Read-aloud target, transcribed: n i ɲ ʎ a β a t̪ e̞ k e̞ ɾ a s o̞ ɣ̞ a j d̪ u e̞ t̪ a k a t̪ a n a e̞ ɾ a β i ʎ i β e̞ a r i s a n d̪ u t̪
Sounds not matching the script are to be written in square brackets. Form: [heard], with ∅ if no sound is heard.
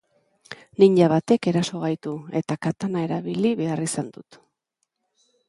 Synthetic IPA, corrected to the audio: n i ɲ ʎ a β a t̪ e̞ k e̞ ɾ a s o̞ ɣ̞ a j [t̪] u e̞ t̪ a k a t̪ a n a e̞ ɾ a β i [l] i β e̞ a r i s a n d̪ u t̪

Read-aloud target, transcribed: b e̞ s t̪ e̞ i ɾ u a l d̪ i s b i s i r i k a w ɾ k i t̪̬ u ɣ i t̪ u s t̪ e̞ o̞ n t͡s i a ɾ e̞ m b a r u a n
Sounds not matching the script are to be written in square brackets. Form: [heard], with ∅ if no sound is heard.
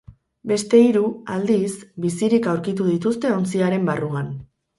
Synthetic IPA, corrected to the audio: b e̞ s t̪ e̞ i ɾ u a l d̪ i s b i s i [ɾ] i k a w ɾ k i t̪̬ u [ð] i t̪ u s t̪ e̞ o̞ n t͡s i a ɾ e̞ m b a r u a n

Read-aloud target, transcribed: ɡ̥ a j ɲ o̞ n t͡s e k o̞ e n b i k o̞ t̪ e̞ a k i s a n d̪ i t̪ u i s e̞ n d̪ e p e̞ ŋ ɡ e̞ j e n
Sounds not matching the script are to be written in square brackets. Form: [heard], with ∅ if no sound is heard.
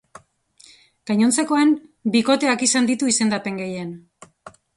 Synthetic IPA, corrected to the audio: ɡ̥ a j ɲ o̞ n t͡s e k o̞ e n b i k o̞ t̪ e̞ a k i s a n d̪ i t̪ u i s e̞ n d̪ [a] p e̞ ŋ ɡ e̞ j e n

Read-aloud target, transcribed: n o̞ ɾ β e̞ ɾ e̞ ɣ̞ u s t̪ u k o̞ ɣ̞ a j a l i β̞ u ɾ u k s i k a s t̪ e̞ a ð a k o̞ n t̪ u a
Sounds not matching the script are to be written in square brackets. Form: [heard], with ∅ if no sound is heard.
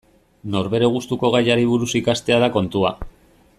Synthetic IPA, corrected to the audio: n o̞ ɾ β e̞ ɾ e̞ ɣ̞ u s t̪ u k o̞ ɣ̞ a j a [ɾ] i β̞ u ɾ u [∅] s i k a s t̪ e̞ a ð a k o̞ n t̪ u a

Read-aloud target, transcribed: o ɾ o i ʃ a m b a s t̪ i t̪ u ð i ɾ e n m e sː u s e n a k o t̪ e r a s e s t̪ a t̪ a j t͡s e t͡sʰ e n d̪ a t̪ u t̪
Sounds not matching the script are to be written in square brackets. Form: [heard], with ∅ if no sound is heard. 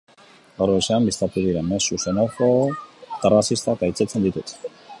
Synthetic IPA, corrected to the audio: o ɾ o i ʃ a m b [i] s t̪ [a] t̪ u ð i ɾ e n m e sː u s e n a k o t̪ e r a s [i] s t̪ a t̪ a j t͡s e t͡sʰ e n d̪ [i] t̪ u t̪

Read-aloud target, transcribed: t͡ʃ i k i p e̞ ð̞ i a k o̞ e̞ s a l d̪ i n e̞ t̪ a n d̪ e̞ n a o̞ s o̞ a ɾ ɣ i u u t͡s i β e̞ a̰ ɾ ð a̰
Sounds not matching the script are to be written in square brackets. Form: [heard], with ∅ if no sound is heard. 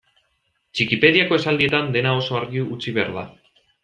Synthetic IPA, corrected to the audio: t͡ʃ i k i p e̞ ð̞ i a k o̞ e̞ s a l d̪ i [∅] e̞ t̪ a n d̪ e̞ n a o̞ s o̞ a ɾ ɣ i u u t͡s i β e̞ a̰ ɾ ð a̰

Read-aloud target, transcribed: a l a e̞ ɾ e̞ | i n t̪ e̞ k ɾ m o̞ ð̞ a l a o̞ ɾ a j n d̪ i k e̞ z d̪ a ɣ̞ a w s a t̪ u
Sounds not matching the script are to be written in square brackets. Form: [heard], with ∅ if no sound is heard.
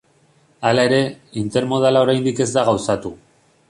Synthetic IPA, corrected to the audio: a l a e̞ ɾ e̞ | i n t̪ e̞ [∅] ɾ m o̞ ð̞ a l a o̞ ɾ a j n d̪ i k e̞ z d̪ a ɣ̞ a w s a t̪ u

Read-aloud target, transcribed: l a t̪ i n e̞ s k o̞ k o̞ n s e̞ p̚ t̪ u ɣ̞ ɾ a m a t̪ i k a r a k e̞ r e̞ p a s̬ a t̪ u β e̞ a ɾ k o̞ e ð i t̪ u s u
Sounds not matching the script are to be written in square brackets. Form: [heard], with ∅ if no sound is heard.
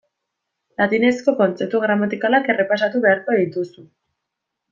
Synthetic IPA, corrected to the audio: l a t̪ i n e̞ s k o̞ k o̞ n [t͡s] e̞ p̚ t̪ u ɣ̞ ɾ a m a t̪ i k a [l] a k e̞ r e̞ p a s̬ a t̪ u β e̞ a ɾ k o̞ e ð i t̪ u s u

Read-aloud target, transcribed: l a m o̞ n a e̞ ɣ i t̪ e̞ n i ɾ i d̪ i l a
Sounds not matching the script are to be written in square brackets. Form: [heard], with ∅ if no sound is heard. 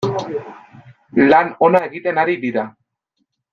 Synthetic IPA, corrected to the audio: l a [n] o̞ n a e̞ ɣ i t̪ e̞ n [a] ɾ i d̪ i [ɾ] a

